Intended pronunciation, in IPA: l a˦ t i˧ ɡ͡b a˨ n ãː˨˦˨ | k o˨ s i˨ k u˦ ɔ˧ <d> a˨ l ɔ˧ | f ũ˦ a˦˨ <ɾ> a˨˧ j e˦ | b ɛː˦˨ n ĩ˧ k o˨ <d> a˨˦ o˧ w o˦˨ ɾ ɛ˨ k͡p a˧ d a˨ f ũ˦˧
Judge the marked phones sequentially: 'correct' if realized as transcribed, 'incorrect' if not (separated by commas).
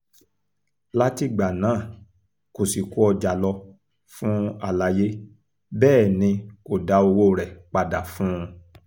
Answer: incorrect, incorrect, correct